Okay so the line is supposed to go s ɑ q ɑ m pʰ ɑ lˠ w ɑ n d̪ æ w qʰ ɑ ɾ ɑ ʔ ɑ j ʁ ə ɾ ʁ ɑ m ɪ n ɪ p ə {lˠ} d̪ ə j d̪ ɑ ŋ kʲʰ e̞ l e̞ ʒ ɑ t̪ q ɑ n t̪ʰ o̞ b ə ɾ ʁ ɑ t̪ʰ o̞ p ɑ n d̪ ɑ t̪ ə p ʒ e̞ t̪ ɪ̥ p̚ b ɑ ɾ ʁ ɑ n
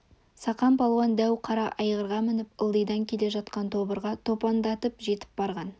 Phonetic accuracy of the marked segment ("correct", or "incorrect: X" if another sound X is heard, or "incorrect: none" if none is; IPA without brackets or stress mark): correct